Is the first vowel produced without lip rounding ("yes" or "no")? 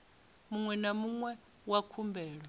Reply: no